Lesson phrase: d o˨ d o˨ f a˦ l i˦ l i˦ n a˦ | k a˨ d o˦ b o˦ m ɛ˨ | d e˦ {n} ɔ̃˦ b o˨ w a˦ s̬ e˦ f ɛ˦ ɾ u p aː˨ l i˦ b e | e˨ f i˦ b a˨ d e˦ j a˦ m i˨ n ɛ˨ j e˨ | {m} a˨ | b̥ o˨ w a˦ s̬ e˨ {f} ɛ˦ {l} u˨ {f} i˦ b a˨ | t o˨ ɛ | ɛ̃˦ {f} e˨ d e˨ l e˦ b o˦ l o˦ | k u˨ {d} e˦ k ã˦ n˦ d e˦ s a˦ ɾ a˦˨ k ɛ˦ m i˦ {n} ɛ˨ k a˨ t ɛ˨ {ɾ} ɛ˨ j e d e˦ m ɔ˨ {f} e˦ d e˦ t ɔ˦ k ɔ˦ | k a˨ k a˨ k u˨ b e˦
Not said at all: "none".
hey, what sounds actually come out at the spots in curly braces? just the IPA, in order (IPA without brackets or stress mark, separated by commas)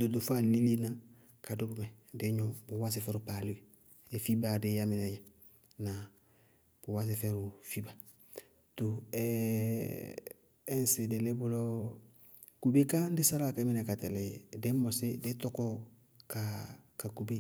ɲ, n, f, ɾ, f, s, b, n, l, s